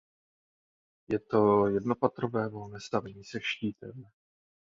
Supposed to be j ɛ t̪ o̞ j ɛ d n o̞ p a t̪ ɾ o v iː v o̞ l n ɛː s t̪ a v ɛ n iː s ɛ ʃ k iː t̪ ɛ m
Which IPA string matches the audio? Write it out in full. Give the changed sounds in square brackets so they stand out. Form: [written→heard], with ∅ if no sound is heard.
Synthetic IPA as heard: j ɛ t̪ o̞ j ɛ d n o̞ p a t̪ ɾ o v [iː→ɛː] v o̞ l n ɛː s t̪ a v ɛ [n→ɲ] iː s ɛ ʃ [k→c] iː t̪ ɛ m